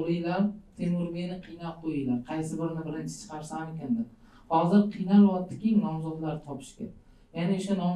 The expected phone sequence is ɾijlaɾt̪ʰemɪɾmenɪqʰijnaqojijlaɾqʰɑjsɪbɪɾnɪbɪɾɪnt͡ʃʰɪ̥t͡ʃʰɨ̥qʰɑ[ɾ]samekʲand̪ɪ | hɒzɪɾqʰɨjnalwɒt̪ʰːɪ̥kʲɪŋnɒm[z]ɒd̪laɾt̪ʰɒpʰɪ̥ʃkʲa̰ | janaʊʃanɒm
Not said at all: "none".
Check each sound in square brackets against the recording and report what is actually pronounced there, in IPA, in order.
ɾ, z

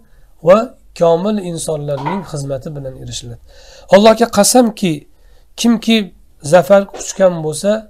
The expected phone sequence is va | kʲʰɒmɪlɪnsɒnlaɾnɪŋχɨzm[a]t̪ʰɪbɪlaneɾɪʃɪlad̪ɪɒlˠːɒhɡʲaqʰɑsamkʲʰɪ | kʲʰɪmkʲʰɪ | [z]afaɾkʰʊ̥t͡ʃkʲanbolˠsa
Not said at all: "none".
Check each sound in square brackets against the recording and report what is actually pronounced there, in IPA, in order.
a, z

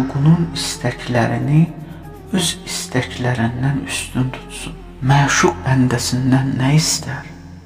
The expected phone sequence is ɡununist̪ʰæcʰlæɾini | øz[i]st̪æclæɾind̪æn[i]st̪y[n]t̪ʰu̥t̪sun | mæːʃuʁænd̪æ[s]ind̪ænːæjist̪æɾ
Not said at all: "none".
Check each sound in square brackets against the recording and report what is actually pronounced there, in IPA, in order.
i, y, n, s

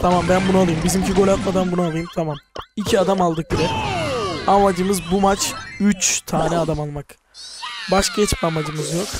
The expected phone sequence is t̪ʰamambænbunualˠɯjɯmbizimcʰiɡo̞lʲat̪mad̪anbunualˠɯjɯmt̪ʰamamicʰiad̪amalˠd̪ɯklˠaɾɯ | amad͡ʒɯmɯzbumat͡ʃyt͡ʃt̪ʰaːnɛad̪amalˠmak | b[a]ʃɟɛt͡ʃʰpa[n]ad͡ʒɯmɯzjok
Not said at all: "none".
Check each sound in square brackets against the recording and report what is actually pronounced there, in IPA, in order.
a, m

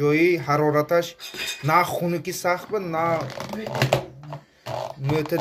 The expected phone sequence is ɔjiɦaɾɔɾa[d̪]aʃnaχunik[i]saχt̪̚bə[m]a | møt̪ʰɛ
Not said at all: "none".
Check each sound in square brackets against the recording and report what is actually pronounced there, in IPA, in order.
t̪, i, n

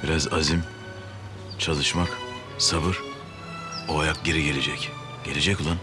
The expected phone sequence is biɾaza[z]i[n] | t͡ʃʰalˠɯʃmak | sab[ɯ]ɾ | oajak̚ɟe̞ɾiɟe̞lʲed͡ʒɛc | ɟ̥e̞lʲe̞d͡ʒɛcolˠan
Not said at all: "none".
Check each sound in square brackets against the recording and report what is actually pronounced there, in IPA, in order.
z, m, ɯ

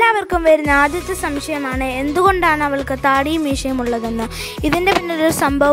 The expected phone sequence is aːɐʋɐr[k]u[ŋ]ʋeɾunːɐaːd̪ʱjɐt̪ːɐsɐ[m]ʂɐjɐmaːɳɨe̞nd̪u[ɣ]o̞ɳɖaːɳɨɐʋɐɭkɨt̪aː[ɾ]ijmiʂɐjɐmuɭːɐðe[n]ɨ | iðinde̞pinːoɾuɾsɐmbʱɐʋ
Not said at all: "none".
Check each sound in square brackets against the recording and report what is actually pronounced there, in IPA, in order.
k, m, m, ɣ, ɽ, nː

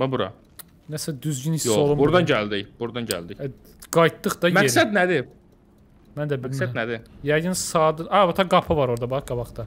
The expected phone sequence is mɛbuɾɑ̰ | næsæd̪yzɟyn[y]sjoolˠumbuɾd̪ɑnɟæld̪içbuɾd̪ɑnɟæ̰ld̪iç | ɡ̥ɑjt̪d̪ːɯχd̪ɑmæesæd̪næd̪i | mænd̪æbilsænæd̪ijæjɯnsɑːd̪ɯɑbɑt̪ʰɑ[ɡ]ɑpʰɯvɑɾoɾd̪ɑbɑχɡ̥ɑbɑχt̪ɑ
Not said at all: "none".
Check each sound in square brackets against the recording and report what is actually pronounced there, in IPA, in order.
i, ɡ

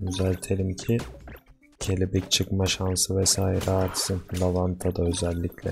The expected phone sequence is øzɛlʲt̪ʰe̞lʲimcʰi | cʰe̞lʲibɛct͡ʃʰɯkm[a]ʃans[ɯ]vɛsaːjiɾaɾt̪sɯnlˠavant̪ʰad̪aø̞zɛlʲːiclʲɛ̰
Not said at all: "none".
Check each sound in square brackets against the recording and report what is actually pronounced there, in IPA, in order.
a, ɯ

